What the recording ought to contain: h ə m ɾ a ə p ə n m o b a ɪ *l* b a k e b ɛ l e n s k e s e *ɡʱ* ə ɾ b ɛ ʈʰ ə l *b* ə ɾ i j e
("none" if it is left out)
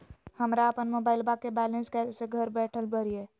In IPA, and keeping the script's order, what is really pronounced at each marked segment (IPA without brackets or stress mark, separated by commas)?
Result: l, ɡʱ, b